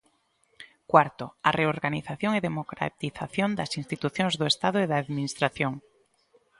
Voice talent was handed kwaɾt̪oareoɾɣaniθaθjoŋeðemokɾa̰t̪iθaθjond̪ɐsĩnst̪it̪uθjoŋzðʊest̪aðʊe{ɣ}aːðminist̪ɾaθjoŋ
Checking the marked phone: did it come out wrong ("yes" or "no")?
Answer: yes